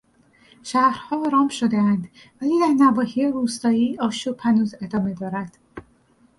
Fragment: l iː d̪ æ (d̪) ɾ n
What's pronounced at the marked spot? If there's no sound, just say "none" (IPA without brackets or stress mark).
none